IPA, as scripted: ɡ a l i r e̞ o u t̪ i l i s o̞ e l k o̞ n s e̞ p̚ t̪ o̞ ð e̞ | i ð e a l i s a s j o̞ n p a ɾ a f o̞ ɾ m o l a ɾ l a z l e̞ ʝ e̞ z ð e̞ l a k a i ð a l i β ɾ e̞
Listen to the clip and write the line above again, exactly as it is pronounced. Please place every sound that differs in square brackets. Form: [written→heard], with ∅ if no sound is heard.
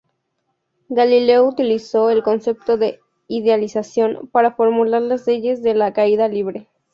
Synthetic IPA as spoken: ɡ a l i [r→l] e̞ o u t̪ i l i s o̞ e l k o̞ n s e̞ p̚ t̪ o̞ ð e̞ | i ð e a l i s a s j o̞ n p a ɾ a f o̞ ɾ m [o→u] l a ɾ l a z l e̞ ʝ e̞ z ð e̞ l a k a i ð a l i β ɾ e̞